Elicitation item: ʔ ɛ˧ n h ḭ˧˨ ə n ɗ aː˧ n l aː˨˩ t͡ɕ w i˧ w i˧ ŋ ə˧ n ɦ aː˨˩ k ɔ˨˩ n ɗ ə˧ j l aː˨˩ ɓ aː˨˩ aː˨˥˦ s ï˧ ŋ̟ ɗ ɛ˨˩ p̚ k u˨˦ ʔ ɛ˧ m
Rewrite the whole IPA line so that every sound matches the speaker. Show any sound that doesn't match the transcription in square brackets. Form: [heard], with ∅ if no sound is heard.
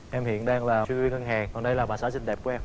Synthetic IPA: ʔ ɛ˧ [m] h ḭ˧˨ ə n ɗ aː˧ [ŋ] l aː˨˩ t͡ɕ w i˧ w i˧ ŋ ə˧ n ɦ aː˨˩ k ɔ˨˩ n ɗ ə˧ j l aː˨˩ ɓ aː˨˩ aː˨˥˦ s ï˧ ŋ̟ ɗ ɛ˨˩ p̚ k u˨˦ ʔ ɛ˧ m